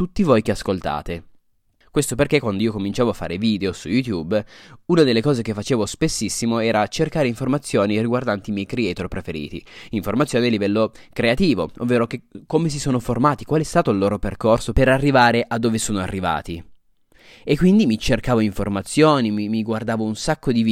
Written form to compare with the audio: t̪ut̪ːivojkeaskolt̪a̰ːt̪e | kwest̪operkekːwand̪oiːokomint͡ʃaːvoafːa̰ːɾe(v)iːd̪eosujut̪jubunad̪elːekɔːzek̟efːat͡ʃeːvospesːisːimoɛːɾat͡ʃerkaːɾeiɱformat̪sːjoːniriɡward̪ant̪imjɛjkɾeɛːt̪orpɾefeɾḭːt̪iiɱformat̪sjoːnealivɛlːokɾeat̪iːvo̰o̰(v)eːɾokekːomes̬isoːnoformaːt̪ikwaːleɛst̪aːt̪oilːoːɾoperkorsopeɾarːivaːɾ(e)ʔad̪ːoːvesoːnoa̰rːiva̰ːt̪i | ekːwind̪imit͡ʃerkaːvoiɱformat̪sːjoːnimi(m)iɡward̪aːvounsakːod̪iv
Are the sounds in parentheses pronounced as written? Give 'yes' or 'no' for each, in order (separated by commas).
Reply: yes, no, yes, yes